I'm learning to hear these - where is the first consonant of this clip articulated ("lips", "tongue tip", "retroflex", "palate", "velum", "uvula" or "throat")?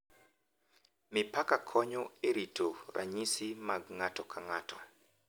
lips